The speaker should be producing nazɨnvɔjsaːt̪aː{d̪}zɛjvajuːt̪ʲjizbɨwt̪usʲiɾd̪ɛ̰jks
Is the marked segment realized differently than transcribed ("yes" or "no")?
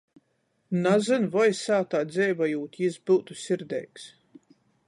no